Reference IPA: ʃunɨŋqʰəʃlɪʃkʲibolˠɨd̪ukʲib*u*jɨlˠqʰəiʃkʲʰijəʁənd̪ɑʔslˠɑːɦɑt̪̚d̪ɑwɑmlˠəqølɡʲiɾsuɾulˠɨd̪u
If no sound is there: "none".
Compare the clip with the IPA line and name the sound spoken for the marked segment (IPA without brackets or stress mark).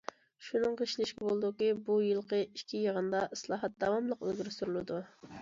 u